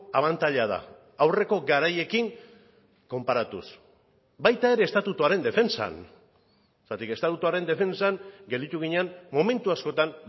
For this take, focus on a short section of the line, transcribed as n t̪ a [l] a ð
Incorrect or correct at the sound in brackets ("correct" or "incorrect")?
incorrect